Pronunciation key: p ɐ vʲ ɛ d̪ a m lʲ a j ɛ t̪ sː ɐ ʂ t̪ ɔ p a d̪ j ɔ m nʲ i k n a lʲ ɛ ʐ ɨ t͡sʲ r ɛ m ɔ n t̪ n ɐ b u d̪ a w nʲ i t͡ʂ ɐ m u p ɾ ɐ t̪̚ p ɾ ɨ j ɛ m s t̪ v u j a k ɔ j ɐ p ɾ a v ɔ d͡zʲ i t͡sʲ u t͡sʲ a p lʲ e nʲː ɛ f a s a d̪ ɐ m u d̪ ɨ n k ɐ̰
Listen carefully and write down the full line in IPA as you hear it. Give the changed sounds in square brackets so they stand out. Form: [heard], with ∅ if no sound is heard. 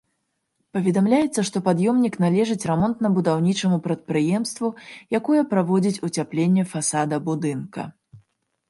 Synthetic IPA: p ɐ vʲ ɛ d̪ a m lʲ a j ɛ t̪ sː ɐ ʂ t̪ ɔ p a d̪ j ɔ m nʲ i k n a lʲ ɛ ʐ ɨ t͡sʲ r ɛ m ɔ n t̪ n ɐ b u d̪ a w nʲ i t͡ʂ ɐ m u p ɾ ɐ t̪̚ p ɾ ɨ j ɛ m s t̪ v u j a k ɔ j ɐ p ɾ a v ɔ d͡zʲ i t͡sʲ u t͡sʲ a p lʲ e nʲː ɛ f a s a d̪ ɐ [b] u d̪ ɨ n k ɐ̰